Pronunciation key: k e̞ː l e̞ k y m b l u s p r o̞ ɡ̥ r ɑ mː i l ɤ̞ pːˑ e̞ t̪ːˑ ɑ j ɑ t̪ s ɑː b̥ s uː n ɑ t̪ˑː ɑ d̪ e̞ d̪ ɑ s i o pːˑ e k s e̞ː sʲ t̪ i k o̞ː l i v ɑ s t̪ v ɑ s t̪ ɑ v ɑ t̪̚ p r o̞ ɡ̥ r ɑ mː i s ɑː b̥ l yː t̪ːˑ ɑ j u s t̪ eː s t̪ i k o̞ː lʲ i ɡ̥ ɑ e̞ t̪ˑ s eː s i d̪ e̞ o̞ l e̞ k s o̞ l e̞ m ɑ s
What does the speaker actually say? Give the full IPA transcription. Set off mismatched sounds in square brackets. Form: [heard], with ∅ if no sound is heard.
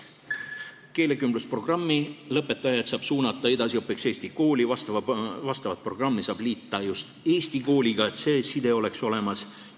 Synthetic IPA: k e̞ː l e̞ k y m b l u s p r o̞ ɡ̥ r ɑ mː i l ɤ̞ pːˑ e̞ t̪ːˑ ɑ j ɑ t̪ s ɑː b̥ s uː n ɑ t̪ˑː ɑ [∅] e̞ d̪ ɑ s i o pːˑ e k s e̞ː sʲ t̪ i k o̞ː l i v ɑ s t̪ v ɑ s t̪ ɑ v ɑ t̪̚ p r o̞ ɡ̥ r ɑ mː i s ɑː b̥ l [iː] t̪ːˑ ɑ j u s t̪ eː s t̪ i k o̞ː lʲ i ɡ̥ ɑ e̞ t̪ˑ s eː s i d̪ e̞ o̞ l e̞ k s o̞ l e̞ m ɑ s